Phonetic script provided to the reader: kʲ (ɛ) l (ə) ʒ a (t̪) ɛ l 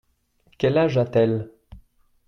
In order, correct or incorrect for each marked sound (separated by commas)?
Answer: correct, incorrect, correct